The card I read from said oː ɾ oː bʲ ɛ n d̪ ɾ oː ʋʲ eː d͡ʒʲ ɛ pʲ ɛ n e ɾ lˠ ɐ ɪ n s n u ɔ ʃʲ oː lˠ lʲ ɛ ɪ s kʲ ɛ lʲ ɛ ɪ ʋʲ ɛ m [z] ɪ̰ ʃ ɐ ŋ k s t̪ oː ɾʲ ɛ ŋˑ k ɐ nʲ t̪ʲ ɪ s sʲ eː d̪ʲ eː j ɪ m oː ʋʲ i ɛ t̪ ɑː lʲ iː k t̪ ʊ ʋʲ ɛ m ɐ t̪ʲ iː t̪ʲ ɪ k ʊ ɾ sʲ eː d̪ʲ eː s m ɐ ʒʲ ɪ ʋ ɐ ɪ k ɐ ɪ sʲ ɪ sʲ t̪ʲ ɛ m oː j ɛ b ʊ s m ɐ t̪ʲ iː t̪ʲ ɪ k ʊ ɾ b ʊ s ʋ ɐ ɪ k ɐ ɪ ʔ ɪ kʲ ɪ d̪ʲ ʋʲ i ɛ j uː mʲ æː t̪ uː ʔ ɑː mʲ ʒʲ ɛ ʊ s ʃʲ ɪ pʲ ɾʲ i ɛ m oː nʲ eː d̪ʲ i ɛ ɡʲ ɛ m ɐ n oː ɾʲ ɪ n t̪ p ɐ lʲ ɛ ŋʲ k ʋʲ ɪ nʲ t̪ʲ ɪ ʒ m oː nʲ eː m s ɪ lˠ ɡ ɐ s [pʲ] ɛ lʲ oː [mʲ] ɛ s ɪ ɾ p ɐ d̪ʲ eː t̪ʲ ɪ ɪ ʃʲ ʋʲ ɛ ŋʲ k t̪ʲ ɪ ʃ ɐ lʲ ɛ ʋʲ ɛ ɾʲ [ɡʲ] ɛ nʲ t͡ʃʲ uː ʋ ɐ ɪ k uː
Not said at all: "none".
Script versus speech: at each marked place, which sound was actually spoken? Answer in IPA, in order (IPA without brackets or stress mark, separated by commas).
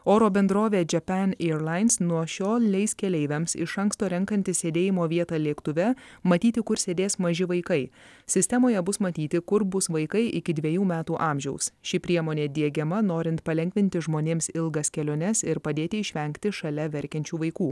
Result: s, kʲ, nʲ, kʲ